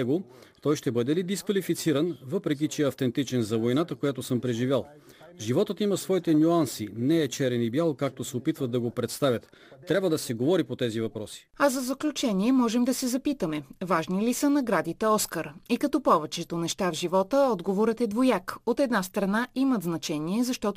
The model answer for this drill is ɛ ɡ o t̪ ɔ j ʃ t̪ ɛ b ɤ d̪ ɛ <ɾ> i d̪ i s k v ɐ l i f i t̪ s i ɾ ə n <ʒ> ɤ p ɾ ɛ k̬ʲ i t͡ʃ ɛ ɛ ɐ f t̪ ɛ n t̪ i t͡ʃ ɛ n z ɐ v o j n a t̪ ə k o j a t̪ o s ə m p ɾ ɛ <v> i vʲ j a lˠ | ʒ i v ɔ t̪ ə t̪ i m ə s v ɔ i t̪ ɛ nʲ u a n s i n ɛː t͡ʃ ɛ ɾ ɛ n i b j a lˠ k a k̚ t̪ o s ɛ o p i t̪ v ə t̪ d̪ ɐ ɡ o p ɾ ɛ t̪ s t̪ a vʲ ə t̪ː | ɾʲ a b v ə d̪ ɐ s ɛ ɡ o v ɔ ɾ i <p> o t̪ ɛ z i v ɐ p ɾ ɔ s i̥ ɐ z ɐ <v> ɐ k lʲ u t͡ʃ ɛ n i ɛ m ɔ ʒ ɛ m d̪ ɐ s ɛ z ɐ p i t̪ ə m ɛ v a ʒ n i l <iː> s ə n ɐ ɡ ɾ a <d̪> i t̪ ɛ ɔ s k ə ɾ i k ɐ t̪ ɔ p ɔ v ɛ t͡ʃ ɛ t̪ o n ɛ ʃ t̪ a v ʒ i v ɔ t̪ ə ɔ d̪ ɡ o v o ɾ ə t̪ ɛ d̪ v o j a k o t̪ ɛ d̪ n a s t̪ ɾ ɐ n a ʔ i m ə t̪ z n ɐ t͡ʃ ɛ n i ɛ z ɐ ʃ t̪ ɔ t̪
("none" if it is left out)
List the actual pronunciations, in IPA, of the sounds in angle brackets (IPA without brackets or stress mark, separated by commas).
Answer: l, v, ʒ, p, z, i, d̪